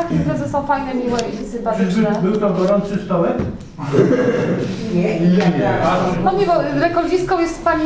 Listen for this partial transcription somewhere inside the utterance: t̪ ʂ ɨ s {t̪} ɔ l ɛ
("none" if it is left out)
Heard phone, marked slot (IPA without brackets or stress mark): t̪